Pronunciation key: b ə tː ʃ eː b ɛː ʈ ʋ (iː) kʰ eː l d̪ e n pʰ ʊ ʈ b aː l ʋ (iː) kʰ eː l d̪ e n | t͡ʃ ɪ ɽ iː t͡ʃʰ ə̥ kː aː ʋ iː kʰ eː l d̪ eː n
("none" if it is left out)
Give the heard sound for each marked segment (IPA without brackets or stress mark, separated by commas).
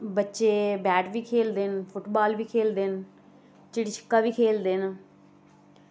iː, iː